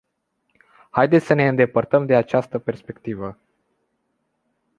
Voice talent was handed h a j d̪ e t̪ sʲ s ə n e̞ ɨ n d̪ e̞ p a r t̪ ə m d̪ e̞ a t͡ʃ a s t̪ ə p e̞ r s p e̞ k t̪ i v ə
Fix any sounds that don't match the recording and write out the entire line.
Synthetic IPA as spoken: h a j d̪ e t̪ sʲ s ə n e̞ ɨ n d̪ e̞ p ə r t̪ ə m d̪ e̞ a t͡ʃ a s t̪ ə p e̞ r s p e̞ k t̪ i v ə